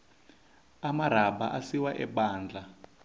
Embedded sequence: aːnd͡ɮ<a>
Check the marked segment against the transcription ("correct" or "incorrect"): correct